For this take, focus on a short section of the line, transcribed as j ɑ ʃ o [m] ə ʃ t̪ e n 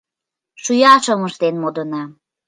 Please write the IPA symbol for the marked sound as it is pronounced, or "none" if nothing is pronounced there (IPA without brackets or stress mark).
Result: m